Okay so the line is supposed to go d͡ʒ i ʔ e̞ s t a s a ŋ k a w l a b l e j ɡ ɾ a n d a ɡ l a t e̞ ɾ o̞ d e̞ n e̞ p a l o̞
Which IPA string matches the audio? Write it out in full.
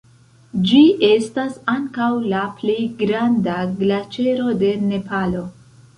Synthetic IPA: d͡ʒ i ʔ e̞ s t a s a ŋ k a w l a p l e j ɡ ɾ a n d a ɡ l a t͡ʃ e̞ ɾ o̞ d e̞ n e̞ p a l o̞

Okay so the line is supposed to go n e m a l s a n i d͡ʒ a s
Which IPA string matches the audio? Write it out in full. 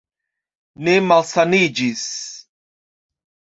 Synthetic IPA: n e m a l s a n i d͡ʒ i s

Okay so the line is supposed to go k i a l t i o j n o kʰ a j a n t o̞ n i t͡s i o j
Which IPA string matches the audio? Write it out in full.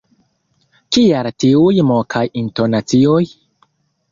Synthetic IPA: k i a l t i u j m o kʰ a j i n t o̞ n a t͡s i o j

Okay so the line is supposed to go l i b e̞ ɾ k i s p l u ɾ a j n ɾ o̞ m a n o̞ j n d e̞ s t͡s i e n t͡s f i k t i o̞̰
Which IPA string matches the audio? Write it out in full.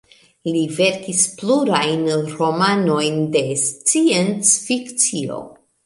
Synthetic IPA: l i v e̞ ɾ k i s p l u ɾ a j n ɾ o̞ m a n o̞ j n d e̞ s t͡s i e n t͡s f i k t͡s i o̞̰

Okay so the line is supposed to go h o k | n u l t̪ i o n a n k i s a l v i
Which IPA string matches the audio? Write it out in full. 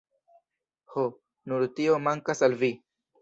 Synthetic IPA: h o | n u ɾ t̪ i o m a ŋ k a s a l v i

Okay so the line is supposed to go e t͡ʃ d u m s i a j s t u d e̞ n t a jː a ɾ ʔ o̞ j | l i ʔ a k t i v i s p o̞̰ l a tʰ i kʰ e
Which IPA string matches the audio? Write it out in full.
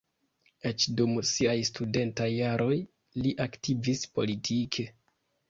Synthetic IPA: e t͡ʃ d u m s i a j s t u d e̞ n t a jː a ɾ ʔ o̞ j | l i ʔ a k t i v i s p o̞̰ l i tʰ i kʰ e

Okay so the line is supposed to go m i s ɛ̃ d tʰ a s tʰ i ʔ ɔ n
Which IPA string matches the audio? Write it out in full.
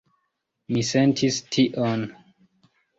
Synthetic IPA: m i s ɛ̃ n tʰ i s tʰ i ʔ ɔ n

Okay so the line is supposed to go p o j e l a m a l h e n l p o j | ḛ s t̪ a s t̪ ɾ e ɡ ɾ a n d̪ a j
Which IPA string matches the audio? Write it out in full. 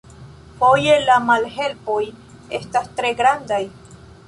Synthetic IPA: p o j e l a m a l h e l p o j | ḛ s t̪ a s t̪ ɾ e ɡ ɾ a n d̪ a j

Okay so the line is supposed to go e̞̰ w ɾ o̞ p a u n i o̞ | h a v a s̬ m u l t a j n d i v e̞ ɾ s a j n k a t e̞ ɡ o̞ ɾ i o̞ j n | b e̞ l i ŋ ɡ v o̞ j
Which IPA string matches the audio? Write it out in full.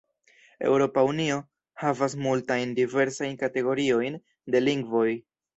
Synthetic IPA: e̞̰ w ɾ o̞ p a u n i o̞ | h a v a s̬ m u l t a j n d i v e̞ ɾ s a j n k a t e̞ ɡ o̞ ɾ i o̞ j n | d e̞ l i ŋ ɡ v o̞ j

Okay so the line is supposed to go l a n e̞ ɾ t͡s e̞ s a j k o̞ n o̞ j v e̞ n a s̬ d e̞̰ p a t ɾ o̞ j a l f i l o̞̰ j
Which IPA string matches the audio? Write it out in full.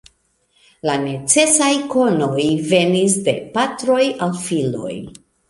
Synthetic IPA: l a n e̞ t͡s e̞ s a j k o̞ n o̞ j v e̞ n i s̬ d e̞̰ p a t ɾ o̞ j a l f i l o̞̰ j

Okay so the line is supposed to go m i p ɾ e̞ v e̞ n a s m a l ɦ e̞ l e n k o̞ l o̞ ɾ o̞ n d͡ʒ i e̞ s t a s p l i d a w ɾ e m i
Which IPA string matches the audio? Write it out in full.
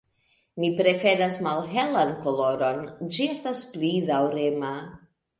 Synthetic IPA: m i p ɾ e̞ f e̞ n a s m a l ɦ e̞ l a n k o̞ l o̞ ɾ o̞ n d͡ʒ i e̞ s t a s p l i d a w ɾ e m a

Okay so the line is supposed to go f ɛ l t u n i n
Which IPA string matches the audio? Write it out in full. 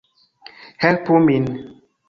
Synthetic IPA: h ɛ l p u m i n

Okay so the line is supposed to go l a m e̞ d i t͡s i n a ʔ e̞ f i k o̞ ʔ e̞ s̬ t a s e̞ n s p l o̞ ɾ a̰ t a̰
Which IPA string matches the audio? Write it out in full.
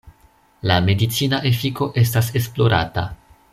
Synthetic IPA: l a m e̞ d i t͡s i n a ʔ e̞ f i k o̞ ʔ e̞ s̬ t a s e̞ s p l o̞ ɾ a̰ t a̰

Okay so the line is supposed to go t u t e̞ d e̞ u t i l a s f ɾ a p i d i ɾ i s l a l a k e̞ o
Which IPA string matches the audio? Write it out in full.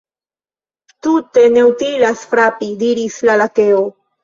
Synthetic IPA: t u t e̞ n e̞ u t i l a s f ɾ a p i d i ɾ i s l a l a k e̞ o

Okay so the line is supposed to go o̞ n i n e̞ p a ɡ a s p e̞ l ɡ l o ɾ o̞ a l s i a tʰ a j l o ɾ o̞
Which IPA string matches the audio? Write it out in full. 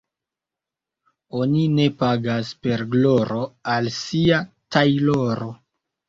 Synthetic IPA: o̞ n i n e̞ p a ɡ a s p e̞ ɾ ɡ l o ɾ o̞ a l s i a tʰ a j l o ɾ o̞

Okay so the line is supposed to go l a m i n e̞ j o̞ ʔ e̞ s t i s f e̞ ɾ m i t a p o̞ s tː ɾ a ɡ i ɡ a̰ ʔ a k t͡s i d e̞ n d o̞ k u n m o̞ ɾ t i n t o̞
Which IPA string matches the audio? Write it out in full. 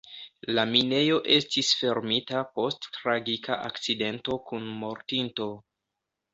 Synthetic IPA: l a m i n e̞ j o̞ ʔ e̞ s t i s f e̞ ɾ m i t a p o̞ s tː ɾ a ɡ i k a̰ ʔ a k t͡s i d e̞ n t o̞ k u n m o̞ ɾ t i n t o̞

